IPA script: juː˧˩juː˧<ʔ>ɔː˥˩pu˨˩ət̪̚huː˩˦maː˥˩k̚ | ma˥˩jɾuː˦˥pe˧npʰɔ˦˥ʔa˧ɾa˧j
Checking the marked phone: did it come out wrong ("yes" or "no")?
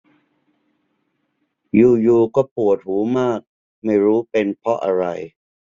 yes